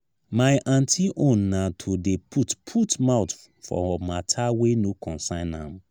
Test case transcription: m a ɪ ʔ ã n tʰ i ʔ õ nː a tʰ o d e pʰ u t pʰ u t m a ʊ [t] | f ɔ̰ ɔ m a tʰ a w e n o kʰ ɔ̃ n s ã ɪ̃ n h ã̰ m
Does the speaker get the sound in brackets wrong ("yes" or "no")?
no